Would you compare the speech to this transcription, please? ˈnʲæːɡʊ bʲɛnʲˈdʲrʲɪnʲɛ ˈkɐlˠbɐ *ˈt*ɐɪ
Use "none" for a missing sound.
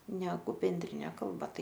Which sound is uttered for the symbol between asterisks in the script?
t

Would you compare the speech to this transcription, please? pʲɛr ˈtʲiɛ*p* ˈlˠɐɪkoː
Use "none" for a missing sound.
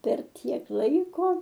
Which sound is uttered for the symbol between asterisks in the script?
k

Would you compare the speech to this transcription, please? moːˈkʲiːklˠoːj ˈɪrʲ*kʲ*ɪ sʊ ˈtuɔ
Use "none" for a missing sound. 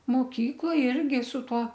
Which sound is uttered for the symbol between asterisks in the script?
ɡʲ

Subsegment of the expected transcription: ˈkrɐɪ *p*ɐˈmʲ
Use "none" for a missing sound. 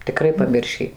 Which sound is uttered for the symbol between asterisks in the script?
p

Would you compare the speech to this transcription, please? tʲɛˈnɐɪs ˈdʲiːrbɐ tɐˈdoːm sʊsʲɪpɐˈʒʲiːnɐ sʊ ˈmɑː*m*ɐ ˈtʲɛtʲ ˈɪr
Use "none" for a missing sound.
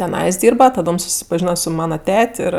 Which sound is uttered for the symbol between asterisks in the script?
n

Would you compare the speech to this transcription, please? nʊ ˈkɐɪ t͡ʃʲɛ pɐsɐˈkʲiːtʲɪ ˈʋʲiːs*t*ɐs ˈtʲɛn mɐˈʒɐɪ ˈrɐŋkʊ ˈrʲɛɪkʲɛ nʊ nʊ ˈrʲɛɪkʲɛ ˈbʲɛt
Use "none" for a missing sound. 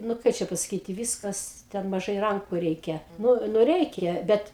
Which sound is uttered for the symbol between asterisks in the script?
k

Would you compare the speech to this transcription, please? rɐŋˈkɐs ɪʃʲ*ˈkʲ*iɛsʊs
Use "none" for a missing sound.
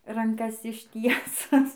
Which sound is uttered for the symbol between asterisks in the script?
tʲ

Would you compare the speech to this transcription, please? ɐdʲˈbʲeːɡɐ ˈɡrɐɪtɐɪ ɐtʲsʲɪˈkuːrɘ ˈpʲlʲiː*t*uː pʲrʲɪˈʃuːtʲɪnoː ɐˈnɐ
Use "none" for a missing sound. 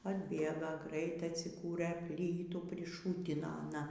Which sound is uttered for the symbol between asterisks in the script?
t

